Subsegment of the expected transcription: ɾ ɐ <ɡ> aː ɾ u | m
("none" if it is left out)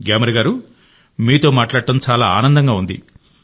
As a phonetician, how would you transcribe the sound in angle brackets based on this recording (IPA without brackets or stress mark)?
ɡ